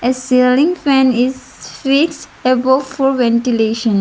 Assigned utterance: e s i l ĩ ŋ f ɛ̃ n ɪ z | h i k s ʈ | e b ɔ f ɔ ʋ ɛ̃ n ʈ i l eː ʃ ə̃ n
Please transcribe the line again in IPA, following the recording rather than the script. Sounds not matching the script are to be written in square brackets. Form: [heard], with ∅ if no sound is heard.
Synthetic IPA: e s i l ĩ ŋ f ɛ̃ n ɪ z | [f] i k s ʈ | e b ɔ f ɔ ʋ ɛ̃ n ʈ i l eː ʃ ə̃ n